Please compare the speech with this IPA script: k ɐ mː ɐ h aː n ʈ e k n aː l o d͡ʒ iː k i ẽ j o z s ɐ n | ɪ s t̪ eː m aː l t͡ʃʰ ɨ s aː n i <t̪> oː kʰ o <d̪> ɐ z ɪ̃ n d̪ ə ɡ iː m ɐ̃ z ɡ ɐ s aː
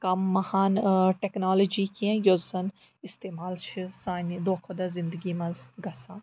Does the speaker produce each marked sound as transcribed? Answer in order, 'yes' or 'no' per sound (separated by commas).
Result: no, yes